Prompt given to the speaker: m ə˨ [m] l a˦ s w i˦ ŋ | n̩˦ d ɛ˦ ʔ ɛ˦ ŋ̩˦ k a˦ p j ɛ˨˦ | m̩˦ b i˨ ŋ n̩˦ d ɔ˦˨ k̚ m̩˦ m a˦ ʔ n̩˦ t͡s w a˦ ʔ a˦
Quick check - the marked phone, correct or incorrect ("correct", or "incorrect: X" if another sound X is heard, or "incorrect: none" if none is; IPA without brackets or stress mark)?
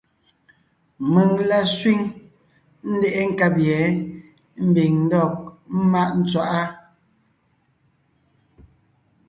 incorrect: ŋ